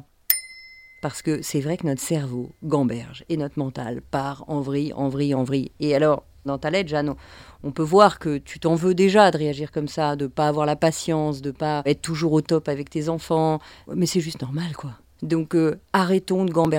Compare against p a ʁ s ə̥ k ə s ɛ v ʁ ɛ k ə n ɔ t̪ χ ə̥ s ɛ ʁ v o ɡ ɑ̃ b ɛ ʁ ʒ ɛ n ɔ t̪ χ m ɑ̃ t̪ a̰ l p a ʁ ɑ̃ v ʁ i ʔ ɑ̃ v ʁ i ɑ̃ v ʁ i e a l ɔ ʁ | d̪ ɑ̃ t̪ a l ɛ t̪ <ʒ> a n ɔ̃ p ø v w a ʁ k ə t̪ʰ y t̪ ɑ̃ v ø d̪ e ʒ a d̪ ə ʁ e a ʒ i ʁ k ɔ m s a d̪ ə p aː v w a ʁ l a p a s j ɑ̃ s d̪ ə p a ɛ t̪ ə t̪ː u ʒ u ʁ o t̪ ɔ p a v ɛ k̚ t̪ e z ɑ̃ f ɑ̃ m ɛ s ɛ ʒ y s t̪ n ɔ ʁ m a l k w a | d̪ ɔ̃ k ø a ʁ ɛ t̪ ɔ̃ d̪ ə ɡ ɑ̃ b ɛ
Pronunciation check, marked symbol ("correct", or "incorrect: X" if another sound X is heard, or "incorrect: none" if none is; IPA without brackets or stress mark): correct